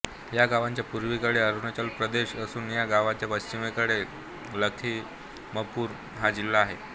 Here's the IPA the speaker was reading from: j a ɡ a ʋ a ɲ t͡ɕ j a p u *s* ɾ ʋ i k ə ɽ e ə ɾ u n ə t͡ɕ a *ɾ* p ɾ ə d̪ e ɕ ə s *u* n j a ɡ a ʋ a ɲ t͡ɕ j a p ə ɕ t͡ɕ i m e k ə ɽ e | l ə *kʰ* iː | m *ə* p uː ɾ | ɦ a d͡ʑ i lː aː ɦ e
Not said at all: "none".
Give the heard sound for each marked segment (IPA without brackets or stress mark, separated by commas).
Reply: none, l, uː, kʰ, ə